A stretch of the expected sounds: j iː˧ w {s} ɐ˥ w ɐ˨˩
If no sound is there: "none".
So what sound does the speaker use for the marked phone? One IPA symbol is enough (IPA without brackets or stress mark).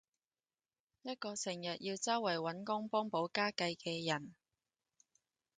t͡s